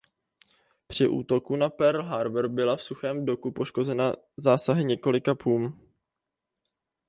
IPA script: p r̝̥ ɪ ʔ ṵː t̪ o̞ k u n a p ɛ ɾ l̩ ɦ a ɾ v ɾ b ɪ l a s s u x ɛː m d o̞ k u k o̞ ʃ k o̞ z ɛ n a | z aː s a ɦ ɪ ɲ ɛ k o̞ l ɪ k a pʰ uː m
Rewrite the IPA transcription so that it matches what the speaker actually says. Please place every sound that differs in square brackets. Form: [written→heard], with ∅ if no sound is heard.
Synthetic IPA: p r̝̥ ɪ ʔ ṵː t̪ o̞ k u n a p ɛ ɾ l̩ ɦ a ɾ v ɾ b ɪ l a [s→f] s u x ɛː m d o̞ k u [k→p] o̞ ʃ k o̞ z ɛ n a | z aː s a ɦ ɪ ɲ ɛ k o̞ l ɪ k a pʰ uː m